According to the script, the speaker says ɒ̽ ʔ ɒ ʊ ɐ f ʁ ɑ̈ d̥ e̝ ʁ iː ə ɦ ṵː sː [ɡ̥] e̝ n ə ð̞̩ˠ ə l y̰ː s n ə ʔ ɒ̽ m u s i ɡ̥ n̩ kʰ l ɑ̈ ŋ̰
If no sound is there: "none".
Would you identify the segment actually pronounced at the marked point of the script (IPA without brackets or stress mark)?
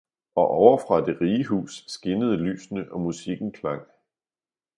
ɡ̥